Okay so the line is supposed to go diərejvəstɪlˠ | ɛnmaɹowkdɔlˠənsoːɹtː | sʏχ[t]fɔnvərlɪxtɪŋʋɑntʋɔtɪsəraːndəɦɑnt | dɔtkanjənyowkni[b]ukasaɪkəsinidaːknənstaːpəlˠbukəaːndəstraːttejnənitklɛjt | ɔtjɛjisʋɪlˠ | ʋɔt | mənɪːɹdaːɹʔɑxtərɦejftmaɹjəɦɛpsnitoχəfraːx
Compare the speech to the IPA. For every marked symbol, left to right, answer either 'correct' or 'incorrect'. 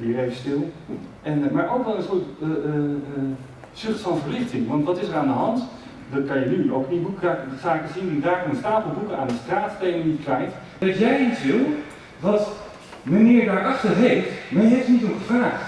correct, correct

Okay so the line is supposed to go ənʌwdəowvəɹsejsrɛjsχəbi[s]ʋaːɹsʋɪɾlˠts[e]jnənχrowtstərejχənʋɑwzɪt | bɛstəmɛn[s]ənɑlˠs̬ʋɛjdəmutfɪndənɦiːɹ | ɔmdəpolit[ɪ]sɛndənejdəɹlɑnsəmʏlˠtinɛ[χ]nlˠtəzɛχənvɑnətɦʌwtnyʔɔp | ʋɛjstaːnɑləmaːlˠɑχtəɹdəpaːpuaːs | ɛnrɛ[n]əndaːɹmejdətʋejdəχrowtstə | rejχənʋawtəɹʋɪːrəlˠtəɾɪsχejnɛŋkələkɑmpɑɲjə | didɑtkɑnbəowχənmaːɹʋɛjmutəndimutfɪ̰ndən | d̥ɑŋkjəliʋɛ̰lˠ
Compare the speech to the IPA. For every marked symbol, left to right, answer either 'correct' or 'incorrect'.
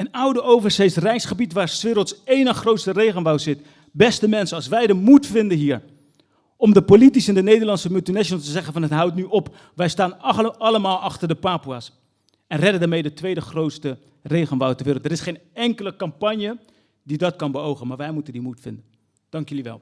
incorrect, correct, correct, incorrect, incorrect, incorrect

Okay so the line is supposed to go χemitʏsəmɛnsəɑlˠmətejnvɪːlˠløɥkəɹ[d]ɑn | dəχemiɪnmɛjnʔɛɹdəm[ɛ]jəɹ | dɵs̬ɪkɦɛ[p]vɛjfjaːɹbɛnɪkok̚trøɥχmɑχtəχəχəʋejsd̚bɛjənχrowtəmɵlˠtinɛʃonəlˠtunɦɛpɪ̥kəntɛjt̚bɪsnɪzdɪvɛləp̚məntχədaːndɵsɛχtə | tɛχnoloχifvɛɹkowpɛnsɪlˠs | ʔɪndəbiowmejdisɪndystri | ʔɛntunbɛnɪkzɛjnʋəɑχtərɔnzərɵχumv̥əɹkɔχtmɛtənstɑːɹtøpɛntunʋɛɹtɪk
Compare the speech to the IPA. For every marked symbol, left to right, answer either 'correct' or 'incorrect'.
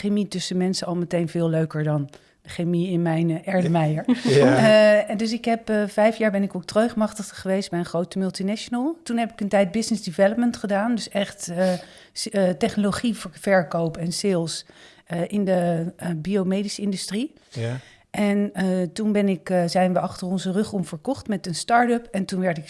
correct, correct, correct

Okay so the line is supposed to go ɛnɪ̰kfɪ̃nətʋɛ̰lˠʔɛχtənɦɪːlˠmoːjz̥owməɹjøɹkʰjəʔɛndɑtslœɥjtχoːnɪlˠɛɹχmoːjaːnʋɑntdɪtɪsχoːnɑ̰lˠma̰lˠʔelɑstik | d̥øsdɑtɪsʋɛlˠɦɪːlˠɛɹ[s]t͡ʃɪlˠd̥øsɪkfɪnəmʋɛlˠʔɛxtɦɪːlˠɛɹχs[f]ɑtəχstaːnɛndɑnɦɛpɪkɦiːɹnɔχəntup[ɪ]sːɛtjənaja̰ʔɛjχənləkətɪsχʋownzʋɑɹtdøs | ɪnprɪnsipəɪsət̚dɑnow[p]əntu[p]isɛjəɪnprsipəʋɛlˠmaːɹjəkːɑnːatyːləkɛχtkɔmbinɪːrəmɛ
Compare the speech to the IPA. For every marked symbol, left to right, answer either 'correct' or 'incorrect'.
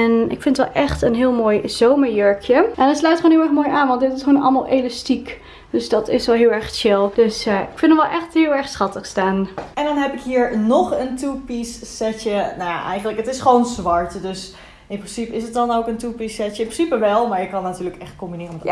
incorrect, incorrect, incorrect, incorrect, correct

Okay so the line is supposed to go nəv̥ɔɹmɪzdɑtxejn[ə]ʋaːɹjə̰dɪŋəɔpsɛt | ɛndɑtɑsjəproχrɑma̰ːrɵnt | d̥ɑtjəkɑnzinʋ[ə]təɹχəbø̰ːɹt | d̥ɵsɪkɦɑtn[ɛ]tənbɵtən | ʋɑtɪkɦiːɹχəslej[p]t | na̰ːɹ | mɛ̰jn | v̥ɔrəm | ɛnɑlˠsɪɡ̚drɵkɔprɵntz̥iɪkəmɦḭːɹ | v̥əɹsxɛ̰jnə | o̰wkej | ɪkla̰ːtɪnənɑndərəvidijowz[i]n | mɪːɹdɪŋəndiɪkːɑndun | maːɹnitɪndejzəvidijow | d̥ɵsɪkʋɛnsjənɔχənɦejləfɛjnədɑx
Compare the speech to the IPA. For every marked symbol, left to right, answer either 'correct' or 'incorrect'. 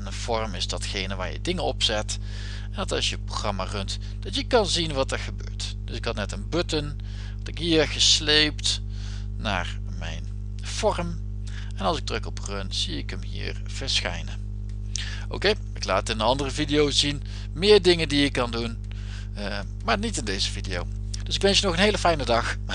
correct, incorrect, correct, correct, correct

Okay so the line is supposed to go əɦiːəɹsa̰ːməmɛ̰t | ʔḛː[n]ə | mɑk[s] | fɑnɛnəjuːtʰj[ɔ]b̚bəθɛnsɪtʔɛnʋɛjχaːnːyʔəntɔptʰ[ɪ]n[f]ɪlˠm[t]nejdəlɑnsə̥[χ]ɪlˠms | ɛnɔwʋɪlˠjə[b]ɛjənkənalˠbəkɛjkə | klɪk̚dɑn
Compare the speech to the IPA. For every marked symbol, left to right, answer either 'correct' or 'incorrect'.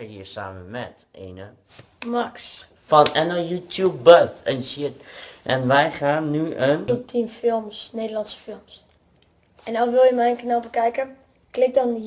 correct, correct, incorrect, incorrect, correct, incorrect, incorrect, incorrect

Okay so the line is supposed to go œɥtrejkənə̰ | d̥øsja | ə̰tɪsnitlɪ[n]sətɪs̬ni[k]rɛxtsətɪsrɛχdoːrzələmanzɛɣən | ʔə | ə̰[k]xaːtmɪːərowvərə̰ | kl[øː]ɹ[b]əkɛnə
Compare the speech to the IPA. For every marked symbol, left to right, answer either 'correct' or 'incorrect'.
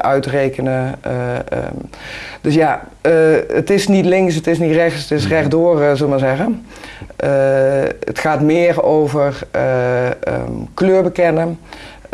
incorrect, incorrect, incorrect, correct, correct

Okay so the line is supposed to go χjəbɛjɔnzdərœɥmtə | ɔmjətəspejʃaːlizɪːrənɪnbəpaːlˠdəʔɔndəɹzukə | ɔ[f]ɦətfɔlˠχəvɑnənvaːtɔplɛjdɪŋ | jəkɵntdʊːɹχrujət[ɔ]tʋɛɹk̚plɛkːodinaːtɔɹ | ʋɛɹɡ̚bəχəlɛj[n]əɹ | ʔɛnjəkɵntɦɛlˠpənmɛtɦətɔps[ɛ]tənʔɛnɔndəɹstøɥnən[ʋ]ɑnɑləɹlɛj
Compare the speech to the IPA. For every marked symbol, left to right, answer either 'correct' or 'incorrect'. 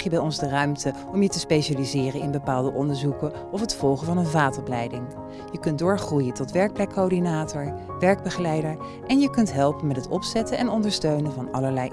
correct, correct, incorrect, correct, incorrect

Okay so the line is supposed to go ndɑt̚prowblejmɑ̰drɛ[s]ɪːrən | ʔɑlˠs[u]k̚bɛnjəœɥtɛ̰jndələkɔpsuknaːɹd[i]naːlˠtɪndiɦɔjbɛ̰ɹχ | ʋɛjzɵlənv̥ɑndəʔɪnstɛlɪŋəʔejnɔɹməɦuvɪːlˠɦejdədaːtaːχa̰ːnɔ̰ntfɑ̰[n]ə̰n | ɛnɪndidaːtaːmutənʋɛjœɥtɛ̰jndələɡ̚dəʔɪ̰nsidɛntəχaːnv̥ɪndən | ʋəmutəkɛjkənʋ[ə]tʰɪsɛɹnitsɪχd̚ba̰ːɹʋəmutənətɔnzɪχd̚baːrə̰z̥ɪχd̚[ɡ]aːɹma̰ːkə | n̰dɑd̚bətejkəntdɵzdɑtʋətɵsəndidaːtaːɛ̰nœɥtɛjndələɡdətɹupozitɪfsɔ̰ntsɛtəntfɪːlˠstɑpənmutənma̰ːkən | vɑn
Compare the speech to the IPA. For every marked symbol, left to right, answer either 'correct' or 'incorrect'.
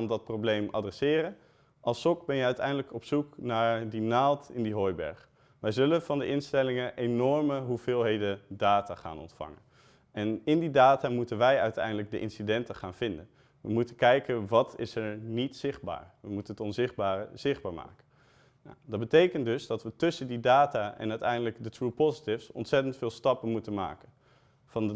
correct, incorrect, correct, incorrect, incorrect, incorrect

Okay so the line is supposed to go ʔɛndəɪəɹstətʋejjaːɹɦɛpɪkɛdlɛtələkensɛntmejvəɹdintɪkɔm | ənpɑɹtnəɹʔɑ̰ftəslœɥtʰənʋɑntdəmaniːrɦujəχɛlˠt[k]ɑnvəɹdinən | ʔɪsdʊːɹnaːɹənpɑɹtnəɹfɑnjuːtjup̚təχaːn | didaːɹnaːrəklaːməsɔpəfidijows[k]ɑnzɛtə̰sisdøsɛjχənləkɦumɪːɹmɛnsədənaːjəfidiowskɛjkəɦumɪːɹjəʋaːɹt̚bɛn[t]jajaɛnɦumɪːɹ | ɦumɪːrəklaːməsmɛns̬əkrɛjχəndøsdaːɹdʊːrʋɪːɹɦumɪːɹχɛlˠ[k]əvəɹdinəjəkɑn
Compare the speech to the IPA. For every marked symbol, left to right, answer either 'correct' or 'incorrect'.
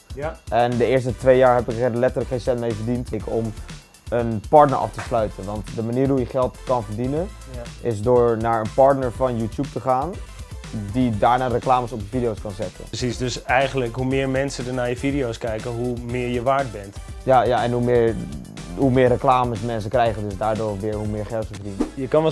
correct, correct, correct, incorrect

